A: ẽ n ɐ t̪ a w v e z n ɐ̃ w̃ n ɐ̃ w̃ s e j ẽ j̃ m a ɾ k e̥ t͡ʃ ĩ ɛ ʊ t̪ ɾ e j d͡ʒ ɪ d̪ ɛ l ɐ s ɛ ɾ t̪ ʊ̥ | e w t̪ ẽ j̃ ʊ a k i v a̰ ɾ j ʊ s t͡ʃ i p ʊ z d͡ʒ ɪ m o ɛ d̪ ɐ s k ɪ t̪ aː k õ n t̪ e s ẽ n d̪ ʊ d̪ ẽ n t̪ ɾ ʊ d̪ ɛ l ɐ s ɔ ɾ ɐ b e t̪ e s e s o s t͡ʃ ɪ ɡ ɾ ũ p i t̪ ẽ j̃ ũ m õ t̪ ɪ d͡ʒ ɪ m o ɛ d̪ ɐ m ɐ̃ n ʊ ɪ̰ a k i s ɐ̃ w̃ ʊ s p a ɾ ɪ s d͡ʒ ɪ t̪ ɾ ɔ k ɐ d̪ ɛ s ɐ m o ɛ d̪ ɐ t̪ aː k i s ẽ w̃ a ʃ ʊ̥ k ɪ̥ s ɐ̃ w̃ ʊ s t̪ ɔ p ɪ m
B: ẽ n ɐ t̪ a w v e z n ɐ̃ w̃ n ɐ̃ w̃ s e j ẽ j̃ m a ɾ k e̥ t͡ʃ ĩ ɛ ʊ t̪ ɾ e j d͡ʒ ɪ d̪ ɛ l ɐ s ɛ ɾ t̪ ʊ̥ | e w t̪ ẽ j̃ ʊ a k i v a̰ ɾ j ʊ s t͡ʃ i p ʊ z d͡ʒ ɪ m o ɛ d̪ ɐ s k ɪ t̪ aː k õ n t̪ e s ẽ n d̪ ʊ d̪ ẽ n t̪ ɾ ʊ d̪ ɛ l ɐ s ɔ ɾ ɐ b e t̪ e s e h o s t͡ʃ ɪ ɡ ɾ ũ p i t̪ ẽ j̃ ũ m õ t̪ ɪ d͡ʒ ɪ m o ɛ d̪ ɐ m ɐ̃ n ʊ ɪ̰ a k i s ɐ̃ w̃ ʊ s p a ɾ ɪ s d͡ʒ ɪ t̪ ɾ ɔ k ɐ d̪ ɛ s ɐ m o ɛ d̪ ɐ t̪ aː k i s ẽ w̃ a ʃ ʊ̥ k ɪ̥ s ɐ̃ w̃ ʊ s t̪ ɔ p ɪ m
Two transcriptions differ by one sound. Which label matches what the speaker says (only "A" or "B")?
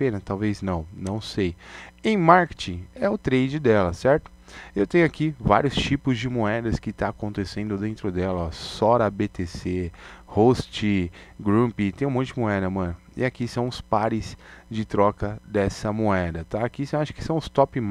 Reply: B